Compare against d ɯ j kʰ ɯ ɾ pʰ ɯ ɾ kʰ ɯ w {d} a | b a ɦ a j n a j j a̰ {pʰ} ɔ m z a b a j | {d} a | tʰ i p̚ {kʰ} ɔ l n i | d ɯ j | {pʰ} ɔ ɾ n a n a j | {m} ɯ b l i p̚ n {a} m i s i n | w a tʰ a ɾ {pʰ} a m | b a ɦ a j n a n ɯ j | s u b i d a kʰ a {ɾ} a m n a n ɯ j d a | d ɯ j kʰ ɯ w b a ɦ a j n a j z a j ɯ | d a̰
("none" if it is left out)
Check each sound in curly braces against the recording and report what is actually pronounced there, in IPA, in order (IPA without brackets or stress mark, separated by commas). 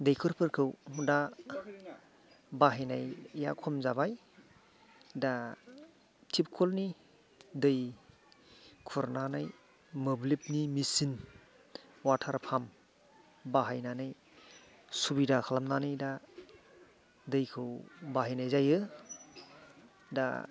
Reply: d, kʰ, d, kʰ, kʰ, m, i, pʰ, l